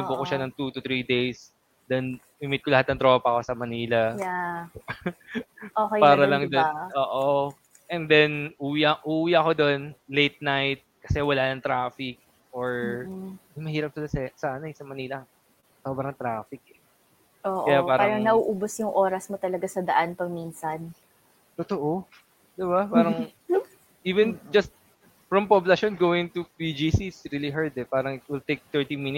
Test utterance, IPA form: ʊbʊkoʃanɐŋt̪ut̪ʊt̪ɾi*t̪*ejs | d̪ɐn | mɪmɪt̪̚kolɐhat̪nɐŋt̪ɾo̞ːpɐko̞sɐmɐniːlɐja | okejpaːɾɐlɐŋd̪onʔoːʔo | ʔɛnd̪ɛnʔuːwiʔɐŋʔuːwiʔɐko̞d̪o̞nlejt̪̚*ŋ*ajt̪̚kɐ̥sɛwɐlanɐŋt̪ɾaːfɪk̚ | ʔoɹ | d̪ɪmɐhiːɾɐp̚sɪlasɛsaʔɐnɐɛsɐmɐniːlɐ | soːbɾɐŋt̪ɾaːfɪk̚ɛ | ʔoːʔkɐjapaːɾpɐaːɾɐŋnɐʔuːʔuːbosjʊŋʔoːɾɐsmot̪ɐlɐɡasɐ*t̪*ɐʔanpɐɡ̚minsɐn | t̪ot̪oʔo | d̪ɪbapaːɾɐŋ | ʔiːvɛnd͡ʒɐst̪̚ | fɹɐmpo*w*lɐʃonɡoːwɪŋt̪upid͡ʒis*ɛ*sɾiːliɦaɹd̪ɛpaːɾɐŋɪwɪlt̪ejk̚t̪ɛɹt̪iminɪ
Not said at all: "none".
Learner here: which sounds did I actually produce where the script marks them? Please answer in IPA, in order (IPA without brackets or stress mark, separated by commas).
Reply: d̪, n, d̪, b, i